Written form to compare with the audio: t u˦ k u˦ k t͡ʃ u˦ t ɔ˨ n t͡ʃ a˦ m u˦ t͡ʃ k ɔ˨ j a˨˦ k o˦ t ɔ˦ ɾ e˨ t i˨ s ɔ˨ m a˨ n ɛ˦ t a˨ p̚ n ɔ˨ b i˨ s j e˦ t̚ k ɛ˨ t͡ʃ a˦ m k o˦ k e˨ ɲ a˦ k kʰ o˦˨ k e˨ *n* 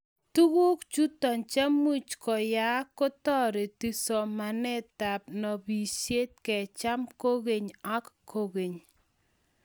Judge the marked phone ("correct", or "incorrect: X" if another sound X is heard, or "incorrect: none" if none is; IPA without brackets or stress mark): incorrect: ɲ